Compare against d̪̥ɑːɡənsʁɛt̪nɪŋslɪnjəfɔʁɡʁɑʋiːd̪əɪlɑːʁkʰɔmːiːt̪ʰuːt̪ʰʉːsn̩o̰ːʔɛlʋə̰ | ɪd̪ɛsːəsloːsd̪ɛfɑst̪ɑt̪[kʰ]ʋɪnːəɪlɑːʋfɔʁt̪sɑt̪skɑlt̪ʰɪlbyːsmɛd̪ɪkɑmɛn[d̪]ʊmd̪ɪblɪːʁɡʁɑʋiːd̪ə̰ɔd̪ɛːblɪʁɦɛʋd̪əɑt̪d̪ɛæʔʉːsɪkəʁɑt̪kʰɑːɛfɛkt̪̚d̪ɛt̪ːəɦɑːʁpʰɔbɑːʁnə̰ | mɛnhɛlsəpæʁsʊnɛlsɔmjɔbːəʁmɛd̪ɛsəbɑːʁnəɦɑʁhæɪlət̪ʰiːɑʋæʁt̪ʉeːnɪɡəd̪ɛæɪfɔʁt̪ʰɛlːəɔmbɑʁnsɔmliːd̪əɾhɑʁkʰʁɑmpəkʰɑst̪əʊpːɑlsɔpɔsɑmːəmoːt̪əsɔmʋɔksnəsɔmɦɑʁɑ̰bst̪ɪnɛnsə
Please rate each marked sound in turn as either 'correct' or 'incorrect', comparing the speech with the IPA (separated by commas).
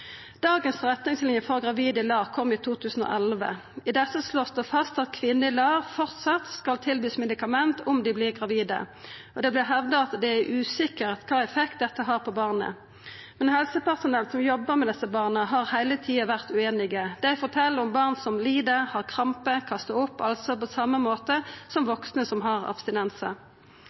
correct, incorrect